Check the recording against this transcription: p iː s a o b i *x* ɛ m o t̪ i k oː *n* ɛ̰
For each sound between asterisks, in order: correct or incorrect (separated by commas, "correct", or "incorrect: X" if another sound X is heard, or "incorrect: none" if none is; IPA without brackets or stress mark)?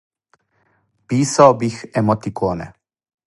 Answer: correct, correct